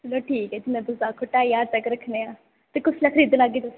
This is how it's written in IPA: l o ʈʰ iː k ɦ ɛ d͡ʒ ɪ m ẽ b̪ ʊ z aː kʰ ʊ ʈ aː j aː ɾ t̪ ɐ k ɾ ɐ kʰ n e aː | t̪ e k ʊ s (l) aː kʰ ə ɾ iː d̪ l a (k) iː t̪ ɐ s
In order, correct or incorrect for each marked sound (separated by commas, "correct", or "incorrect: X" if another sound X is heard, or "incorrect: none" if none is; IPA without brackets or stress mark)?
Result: correct, incorrect: ɡ